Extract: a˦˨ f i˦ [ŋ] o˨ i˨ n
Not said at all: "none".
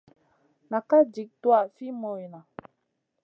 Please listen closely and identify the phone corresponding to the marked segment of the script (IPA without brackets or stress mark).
m